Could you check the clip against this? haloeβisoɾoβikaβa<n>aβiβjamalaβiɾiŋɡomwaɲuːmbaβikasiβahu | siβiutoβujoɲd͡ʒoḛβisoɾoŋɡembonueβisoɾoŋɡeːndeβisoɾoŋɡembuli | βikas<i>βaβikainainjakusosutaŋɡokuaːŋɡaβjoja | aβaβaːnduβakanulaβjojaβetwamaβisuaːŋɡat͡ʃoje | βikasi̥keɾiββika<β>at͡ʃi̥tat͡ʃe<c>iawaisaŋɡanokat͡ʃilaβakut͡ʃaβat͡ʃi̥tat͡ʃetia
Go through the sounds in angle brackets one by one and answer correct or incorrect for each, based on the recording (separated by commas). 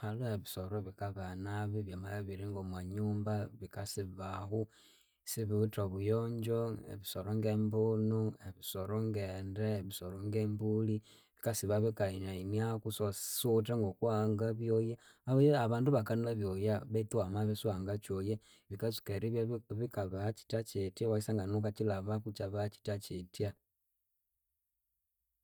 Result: correct, correct, correct, incorrect